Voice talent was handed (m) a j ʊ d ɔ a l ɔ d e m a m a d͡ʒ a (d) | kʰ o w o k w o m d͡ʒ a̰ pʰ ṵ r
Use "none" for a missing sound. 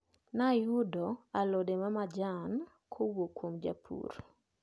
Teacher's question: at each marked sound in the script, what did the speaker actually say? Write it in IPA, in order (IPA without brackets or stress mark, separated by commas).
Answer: n, n